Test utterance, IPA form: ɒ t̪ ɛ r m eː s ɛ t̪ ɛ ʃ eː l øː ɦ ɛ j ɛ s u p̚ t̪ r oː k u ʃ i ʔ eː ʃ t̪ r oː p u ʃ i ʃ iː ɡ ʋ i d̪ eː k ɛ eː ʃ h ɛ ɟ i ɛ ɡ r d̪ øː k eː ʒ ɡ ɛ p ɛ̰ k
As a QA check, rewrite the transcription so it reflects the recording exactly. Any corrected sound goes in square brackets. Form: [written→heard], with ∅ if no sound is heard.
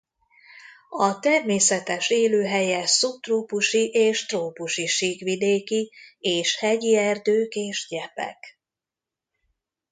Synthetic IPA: ɒ t̪ ɛ r m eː s ɛ t̪ ɛ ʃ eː l øː ɦ ɛ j ɛ s u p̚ t̪ r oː [k→p] u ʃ i ʔ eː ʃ t̪ r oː p u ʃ i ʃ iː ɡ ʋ i d̪ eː k [ɛ→i] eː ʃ h ɛ ɟ i ɛ [ɡ→∅] r d̪ øː k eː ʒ [ɡ→ɟ] ɛ p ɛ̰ k